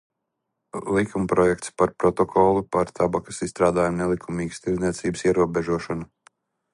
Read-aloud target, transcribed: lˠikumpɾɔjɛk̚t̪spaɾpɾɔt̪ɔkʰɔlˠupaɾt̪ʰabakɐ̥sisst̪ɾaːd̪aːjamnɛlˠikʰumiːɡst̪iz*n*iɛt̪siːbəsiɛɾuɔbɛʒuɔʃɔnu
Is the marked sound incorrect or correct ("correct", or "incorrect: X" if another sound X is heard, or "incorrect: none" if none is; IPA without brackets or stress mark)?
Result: correct